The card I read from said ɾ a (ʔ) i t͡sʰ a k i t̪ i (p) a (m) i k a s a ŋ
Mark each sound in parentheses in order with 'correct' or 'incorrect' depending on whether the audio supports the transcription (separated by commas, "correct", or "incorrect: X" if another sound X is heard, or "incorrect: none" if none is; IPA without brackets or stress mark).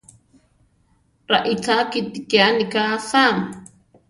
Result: correct, incorrect: k, incorrect: n